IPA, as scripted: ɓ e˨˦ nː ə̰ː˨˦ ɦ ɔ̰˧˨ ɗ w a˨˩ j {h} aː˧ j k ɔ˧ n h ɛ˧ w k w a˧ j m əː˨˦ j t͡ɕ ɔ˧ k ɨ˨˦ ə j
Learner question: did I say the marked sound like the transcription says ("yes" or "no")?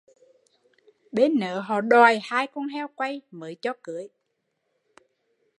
yes